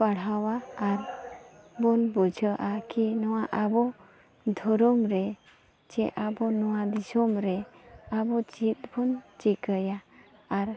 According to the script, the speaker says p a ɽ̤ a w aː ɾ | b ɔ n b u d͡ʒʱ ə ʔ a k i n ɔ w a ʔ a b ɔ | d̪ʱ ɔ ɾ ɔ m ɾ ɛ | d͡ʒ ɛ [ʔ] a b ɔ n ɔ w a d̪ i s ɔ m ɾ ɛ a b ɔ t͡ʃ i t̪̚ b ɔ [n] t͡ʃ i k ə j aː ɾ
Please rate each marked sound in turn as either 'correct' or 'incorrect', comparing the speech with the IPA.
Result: correct, correct

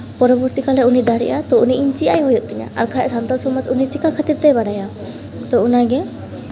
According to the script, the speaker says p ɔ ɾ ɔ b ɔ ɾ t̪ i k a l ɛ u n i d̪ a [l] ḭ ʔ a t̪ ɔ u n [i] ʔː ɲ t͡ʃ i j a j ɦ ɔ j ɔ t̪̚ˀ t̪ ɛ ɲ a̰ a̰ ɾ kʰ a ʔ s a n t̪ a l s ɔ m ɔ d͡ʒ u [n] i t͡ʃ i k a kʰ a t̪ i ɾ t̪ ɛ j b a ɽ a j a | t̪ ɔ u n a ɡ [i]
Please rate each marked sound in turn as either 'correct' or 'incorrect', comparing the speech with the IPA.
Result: incorrect: ɽ, correct, correct, incorrect: ɛ

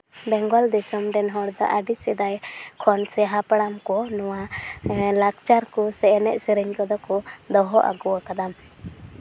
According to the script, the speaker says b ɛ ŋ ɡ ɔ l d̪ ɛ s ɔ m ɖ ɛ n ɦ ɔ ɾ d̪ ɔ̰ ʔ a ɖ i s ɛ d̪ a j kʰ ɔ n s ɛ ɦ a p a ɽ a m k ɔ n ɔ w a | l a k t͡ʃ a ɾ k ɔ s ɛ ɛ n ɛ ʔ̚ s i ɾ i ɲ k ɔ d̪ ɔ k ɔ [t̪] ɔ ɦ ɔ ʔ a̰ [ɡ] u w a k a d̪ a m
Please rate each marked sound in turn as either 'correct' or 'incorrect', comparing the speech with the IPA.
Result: incorrect: d̪, correct

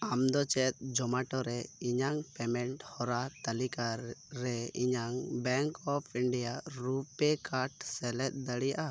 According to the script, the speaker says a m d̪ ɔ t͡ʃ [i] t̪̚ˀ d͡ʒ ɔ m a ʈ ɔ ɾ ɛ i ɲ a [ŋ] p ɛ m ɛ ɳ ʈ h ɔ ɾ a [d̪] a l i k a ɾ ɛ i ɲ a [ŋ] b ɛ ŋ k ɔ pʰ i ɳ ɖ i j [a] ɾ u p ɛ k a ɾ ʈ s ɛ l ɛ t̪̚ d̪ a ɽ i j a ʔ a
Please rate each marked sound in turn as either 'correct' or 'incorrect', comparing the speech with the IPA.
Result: incorrect: ɛ, correct, incorrect: t̪, correct, correct

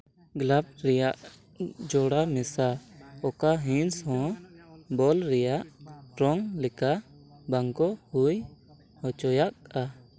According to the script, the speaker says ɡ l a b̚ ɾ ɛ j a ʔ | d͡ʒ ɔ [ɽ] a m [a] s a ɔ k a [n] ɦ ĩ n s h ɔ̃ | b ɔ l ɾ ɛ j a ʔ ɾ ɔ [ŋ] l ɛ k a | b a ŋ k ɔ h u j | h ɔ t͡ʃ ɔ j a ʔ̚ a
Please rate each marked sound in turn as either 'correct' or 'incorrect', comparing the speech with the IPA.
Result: correct, incorrect: ɛ, incorrect: none, correct

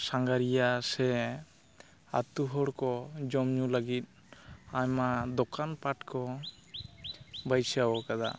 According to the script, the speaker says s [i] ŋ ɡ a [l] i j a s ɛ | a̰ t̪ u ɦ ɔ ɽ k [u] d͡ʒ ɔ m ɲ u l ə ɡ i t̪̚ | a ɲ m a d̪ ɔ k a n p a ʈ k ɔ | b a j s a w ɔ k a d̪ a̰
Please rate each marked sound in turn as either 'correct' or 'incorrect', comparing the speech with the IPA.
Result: incorrect: a, incorrect: ɾ, incorrect: ɔ

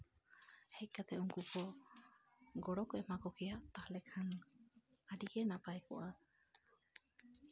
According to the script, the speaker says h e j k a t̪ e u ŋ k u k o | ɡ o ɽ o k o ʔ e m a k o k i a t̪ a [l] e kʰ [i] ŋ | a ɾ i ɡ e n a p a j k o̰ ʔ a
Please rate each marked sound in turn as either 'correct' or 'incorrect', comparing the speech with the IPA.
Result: correct, incorrect: a

